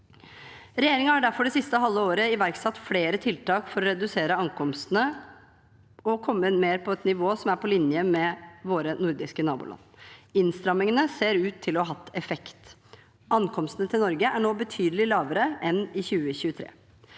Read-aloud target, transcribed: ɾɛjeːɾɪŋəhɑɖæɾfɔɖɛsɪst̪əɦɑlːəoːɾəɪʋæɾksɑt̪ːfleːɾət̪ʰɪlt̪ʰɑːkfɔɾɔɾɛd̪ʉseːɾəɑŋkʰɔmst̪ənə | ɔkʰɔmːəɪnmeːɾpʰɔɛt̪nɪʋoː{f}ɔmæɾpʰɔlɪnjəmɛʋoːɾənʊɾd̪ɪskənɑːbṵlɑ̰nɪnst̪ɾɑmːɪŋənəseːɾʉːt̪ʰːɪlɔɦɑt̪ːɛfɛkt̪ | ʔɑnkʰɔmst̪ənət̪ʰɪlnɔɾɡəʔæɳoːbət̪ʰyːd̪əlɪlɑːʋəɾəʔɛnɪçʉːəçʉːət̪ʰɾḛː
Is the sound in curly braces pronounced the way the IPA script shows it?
no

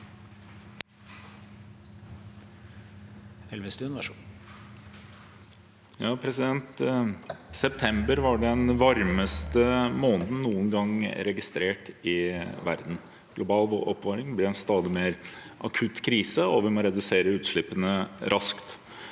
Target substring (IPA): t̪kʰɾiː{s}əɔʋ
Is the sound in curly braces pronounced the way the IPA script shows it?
yes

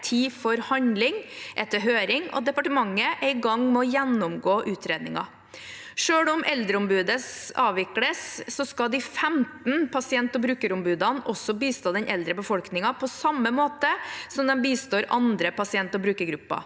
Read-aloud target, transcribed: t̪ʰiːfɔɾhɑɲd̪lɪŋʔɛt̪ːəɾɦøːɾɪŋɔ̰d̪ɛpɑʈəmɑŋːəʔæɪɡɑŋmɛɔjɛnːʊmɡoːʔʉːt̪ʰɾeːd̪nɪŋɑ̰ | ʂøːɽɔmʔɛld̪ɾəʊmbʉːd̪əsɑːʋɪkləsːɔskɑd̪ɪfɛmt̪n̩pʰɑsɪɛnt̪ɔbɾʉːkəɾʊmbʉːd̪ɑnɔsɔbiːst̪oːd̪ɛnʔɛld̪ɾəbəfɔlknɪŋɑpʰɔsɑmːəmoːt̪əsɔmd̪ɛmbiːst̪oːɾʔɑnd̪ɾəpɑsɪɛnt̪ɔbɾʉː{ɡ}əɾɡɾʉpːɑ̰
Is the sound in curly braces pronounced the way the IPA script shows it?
no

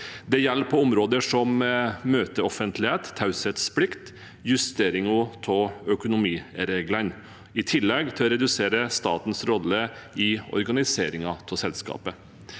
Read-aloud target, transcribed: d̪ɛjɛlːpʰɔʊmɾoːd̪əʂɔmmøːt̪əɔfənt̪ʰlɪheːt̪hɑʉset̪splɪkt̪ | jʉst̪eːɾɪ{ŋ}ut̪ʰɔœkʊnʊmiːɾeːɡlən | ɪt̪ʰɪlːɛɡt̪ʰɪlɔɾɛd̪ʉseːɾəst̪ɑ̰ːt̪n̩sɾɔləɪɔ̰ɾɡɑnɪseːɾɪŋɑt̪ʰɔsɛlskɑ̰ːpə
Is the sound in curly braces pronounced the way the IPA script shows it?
yes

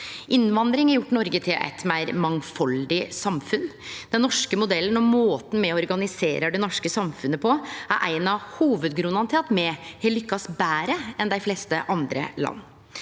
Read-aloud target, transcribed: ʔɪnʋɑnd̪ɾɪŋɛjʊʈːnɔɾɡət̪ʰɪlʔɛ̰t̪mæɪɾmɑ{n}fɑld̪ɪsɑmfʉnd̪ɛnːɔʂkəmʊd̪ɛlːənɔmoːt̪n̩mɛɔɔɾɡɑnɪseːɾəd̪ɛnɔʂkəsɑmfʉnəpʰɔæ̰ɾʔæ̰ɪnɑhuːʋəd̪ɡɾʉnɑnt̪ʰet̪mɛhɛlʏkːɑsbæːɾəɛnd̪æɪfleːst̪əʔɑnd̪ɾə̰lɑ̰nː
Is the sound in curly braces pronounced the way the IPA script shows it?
no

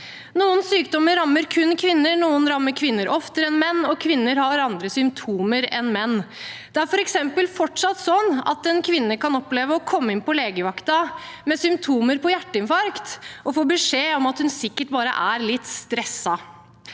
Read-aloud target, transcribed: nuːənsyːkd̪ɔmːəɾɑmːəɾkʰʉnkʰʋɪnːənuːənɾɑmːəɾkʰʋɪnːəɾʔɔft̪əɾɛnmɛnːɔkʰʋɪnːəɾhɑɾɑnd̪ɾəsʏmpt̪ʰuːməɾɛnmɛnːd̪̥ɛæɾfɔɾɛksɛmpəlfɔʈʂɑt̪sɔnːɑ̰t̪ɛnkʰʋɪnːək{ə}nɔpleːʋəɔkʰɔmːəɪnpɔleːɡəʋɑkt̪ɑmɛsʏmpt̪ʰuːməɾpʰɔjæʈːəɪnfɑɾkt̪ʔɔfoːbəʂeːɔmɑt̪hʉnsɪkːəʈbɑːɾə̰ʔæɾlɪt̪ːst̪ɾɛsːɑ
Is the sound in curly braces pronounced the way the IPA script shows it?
no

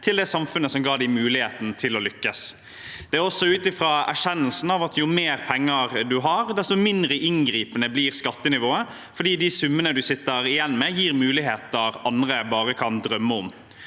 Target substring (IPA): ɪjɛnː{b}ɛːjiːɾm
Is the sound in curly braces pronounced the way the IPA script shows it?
no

